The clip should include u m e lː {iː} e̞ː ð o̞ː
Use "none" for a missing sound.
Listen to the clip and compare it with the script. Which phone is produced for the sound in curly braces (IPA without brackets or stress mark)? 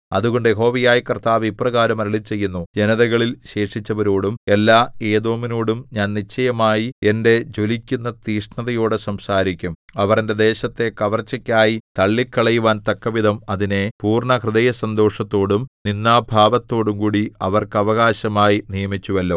aː